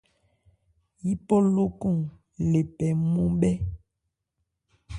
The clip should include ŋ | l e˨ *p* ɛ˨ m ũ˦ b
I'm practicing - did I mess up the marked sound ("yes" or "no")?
no